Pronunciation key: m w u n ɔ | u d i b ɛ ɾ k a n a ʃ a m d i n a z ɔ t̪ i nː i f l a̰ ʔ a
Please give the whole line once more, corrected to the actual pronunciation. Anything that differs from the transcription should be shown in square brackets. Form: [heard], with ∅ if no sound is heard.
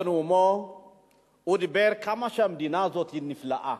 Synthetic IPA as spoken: [n] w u [m] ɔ | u d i b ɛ ɾ k a [m] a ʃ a m d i n a z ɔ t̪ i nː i f l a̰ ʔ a